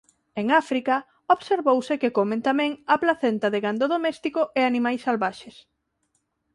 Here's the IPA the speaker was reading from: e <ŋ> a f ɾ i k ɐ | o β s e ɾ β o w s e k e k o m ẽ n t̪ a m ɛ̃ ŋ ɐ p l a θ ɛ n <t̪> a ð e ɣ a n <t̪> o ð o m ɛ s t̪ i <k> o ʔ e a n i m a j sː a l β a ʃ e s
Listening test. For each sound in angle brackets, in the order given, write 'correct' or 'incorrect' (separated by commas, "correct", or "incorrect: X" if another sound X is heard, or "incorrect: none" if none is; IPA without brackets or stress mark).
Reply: correct, correct, incorrect: d̪, correct